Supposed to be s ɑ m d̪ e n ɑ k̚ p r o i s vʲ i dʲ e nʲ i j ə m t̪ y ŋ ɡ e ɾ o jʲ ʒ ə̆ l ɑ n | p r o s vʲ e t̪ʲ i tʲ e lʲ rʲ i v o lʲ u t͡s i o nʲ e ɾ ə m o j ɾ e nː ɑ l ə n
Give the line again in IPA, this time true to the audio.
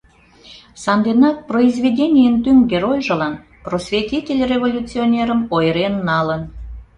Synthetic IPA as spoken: s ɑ n d̪ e n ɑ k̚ p r o i z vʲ e dʲ e nʲ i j ə n t̪ y ŋ ɡ e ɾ o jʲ ʒ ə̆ l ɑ n | p r o s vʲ e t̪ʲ i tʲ e lʲ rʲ e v o lʲ u t͡s i o nʲ e ɾ ə m o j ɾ e nː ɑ l ə n